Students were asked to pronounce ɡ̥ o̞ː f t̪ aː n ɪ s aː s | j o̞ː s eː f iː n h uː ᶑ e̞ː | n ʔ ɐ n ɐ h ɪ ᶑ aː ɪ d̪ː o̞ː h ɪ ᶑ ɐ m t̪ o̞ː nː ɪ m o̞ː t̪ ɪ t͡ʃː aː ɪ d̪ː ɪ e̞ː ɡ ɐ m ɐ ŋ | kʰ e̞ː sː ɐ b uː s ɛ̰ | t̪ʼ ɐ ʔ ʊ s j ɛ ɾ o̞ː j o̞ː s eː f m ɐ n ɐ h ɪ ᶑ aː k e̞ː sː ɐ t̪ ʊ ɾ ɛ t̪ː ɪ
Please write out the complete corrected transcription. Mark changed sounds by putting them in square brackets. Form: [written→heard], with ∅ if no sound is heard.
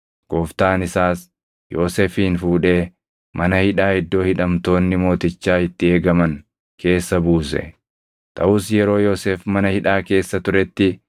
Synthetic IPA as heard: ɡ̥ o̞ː f t̪ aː n ɪ s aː s | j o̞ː s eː f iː n [h→f] uː ᶑ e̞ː | [n→m] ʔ ɐ n ɐ h ɪ ᶑ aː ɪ d̪ː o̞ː h ɪ ᶑ ɐ m t̪ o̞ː nː ɪ m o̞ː t̪ ɪ t͡ʃː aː ɪ [d̪ː→t̪ː] ɪ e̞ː ɡ ɐ m ɐ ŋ | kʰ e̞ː sː ɐ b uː s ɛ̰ | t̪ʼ ɐ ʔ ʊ s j ɛ ɾ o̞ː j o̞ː s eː f m ɐ n ɐ h ɪ ᶑ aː k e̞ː sː ɐ t̪ ʊ ɾ ɛ t̪ː ɪ